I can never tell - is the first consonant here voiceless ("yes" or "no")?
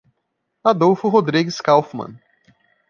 no